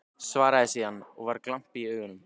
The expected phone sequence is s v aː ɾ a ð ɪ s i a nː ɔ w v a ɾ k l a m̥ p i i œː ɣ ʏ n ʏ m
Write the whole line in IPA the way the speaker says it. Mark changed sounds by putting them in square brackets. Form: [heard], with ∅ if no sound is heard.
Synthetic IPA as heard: s v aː ɾ a ð ɪ s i a nː ɔ [ɣ] v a ɾ k l a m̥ p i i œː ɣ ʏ n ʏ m